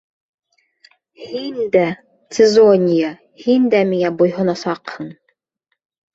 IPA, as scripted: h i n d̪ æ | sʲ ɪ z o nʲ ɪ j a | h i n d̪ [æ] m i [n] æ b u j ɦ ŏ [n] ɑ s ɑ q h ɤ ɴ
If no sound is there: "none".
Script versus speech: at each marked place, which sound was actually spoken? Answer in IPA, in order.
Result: æ, ŋ, n

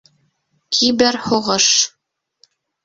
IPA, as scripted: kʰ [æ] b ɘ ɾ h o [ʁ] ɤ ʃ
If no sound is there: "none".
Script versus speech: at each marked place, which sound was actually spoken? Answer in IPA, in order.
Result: i, ʁ

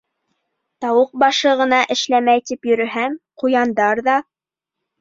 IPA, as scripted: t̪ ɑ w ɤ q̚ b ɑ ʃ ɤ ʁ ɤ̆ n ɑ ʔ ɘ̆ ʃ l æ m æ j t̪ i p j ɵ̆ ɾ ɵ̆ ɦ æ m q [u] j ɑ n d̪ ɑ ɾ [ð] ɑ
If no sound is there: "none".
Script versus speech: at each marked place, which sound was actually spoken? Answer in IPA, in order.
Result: u, ð

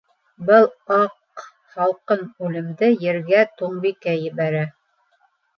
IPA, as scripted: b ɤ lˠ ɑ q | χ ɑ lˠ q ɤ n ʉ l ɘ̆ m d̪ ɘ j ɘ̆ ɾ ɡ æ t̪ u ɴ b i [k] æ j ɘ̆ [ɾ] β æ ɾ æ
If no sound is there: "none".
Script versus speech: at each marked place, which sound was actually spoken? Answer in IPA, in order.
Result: k, none

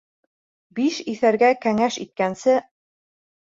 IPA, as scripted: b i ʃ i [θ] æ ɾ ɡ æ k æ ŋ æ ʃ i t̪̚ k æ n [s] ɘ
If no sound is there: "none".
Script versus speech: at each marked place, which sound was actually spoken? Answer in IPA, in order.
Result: θ, s

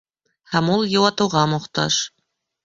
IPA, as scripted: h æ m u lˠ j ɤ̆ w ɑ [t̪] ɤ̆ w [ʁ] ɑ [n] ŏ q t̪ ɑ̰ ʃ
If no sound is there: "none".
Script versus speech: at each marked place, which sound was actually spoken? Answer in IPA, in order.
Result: t̪, ʁ, m

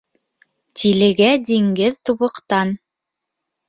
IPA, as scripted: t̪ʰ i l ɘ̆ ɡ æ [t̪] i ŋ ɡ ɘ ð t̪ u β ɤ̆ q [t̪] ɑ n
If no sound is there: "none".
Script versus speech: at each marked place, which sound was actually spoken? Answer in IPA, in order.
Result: d̪, t̪

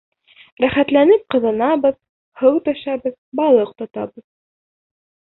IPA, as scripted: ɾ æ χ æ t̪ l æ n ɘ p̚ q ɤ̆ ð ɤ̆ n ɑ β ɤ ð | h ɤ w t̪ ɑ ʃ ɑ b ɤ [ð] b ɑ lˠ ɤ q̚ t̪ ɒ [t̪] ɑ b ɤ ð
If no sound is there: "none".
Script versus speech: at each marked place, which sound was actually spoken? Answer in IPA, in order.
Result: ð, t̪

